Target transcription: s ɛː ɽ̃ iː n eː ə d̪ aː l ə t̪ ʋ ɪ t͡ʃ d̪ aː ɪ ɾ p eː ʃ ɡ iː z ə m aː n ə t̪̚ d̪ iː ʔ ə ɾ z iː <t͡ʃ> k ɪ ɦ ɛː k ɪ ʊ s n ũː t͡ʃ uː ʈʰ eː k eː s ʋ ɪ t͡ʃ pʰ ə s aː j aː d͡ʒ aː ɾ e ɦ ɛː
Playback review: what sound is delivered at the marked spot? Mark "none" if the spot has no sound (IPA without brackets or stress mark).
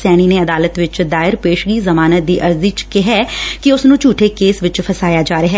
t͡ʃ